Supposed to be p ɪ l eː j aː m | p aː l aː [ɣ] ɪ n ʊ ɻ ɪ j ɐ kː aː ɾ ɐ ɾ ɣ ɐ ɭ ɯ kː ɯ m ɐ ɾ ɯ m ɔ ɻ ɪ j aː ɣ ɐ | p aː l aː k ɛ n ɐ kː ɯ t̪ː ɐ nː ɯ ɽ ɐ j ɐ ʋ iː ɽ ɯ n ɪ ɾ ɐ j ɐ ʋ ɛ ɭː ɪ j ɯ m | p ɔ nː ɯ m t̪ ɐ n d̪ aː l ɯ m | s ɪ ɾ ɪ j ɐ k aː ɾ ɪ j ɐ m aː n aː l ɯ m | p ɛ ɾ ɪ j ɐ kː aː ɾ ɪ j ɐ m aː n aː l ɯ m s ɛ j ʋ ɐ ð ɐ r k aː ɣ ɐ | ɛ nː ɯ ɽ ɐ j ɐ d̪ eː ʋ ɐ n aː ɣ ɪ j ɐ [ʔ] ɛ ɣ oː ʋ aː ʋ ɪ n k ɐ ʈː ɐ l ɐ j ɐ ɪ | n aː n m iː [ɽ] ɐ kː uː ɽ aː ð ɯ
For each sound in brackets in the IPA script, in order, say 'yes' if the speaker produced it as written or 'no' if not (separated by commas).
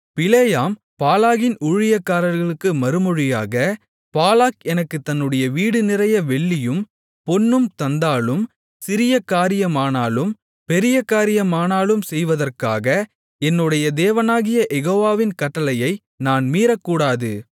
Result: yes, yes, no